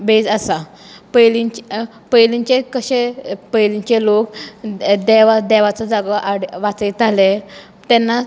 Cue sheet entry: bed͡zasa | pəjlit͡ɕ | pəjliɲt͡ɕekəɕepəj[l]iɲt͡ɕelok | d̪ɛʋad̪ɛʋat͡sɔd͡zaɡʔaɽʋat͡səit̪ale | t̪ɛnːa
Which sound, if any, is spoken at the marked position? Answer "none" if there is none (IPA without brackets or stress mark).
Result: l